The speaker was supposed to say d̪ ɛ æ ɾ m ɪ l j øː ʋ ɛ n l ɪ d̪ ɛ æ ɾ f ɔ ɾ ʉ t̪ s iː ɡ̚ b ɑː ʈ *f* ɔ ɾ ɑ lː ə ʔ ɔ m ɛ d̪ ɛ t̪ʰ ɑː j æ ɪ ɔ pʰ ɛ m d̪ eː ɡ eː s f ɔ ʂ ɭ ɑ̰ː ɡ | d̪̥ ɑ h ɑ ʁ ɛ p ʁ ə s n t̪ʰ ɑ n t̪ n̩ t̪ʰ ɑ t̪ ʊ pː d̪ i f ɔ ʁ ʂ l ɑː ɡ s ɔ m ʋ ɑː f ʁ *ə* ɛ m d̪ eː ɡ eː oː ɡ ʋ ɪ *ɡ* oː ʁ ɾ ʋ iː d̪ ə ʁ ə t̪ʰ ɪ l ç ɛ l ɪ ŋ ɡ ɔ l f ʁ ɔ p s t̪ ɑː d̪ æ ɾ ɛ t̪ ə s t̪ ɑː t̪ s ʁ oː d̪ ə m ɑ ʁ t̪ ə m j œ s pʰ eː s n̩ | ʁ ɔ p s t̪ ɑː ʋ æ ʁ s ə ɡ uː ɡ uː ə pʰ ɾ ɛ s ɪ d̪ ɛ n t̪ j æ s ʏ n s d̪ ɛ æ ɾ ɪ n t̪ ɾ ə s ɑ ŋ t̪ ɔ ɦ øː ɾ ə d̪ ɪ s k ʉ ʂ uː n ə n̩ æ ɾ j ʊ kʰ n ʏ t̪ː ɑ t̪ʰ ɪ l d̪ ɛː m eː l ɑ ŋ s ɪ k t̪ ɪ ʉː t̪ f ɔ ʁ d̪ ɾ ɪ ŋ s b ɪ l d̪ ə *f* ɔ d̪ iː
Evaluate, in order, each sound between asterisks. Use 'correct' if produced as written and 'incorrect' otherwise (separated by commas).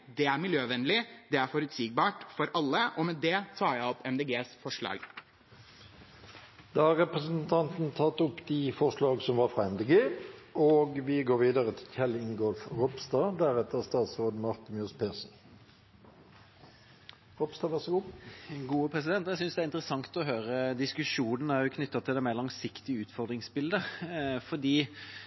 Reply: correct, incorrect, correct, correct